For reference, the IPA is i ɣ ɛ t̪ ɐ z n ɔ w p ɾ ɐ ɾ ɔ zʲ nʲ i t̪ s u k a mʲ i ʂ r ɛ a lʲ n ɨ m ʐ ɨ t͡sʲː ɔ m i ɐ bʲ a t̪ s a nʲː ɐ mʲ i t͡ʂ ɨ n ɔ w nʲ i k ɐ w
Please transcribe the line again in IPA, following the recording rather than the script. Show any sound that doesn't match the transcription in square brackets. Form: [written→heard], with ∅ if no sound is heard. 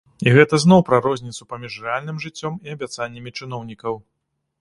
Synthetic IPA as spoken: i ɣ ɛ t̪ ɐ z n ɔ w p ɾ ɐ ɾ ɔ zʲ nʲ i t̪ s u [k→p] a mʲ i ʂ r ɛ a lʲ n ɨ m ʐ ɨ t͡sʲː ɔ m i ɐ bʲ a t̪ s a nʲː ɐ mʲ i t͡ʂ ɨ n ɔ w nʲ i k ɐ w